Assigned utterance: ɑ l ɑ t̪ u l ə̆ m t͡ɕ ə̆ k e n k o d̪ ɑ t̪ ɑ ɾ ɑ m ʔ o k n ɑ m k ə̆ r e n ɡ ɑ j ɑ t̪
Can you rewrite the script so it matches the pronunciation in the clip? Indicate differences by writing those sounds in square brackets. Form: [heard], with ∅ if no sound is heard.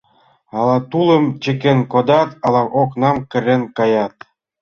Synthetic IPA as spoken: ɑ l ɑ t̪ u l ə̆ m t͡ɕ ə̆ k e n k o d̪ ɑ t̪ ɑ [l] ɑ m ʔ o k n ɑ m k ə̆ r e n [k] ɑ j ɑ t̪